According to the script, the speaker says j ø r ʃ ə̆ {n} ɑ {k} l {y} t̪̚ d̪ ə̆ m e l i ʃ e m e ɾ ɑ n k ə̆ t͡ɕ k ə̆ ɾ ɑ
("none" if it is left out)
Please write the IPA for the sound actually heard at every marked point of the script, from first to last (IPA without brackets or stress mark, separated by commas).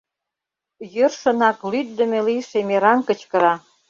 n, k, y